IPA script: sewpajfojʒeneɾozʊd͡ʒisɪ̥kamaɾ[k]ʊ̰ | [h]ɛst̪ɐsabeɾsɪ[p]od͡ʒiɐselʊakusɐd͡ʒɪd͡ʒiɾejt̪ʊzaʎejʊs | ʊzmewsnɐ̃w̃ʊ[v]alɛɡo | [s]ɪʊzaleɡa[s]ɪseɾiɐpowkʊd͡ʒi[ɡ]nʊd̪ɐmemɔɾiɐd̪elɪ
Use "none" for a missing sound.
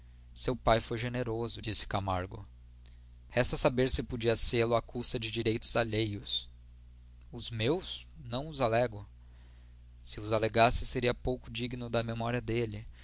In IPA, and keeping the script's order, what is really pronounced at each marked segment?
ɡ, h, p, z, s, s, ɡ

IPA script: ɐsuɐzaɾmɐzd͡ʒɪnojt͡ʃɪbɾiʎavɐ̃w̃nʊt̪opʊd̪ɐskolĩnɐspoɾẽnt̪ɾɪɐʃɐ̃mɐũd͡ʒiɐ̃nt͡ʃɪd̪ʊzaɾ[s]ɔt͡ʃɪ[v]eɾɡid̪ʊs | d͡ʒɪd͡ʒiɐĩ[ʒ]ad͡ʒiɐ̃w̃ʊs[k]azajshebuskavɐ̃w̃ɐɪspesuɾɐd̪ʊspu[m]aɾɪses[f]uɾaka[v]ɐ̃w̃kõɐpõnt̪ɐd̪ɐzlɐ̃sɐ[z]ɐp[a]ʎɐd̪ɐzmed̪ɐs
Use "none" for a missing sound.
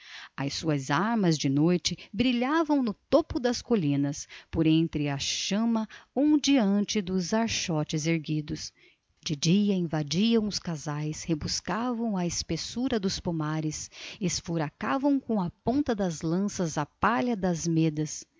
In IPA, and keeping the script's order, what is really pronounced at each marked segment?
ʃ, z, v, k, m, f, v, z, a

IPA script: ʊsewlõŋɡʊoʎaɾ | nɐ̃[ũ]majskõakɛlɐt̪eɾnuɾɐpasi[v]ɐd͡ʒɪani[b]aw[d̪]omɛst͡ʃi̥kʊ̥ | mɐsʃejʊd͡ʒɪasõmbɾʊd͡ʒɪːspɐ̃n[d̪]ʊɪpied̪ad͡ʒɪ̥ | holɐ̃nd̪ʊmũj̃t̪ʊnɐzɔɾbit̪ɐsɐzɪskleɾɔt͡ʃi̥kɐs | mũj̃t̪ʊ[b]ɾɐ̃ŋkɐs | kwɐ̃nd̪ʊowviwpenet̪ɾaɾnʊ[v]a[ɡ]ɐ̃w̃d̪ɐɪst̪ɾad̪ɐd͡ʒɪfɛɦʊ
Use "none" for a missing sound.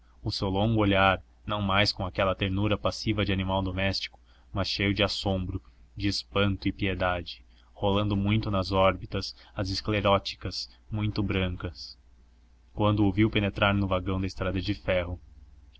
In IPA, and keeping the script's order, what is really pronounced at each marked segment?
w̃, v, m, d̪, t̪, b, v, ɡ

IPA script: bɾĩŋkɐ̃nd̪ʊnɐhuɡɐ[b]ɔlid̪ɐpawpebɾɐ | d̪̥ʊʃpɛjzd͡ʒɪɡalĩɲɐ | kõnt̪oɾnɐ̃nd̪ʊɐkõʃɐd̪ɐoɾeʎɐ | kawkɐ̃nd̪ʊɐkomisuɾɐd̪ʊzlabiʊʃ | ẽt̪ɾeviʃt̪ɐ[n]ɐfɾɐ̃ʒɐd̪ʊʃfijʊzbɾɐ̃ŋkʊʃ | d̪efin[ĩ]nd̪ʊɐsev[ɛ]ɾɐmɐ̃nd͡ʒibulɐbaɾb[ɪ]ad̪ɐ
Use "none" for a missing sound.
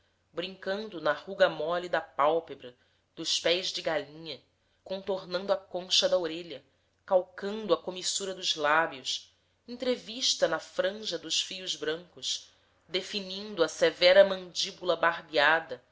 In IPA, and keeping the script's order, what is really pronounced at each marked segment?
m, n, ĩ, ɛ, i

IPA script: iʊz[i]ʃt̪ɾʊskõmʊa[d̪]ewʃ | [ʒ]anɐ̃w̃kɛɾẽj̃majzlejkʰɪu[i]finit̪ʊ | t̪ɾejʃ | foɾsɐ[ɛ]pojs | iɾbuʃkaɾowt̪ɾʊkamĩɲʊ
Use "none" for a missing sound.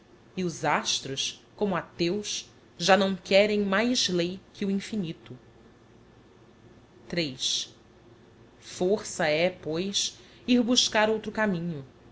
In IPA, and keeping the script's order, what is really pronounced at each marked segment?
a, t̪, ʒ, ĩ, ɛ

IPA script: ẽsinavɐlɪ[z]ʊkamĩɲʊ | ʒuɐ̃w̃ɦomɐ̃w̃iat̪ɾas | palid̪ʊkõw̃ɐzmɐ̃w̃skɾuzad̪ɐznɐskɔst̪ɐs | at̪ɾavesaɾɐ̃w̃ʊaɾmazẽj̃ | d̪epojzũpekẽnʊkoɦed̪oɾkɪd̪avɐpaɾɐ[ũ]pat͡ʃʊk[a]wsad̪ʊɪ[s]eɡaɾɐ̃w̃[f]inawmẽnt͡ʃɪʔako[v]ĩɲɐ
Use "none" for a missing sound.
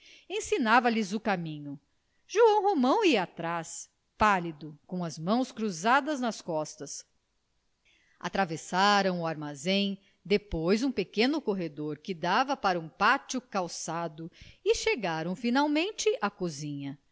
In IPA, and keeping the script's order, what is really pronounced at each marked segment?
z, ũ, a, ʃ, f, z

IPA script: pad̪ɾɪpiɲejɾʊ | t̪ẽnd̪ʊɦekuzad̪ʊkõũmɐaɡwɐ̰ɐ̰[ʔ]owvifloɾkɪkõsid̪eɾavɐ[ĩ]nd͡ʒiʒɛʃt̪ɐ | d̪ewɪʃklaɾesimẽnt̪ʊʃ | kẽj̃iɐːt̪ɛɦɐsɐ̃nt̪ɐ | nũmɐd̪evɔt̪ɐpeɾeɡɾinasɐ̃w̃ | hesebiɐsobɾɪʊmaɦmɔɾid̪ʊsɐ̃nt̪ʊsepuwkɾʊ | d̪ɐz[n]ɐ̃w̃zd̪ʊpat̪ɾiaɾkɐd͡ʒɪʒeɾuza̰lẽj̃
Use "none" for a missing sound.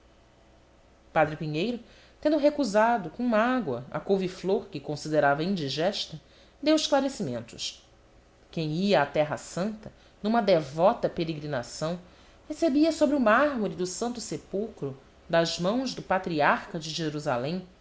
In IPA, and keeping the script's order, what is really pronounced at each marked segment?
k, ĩ, m

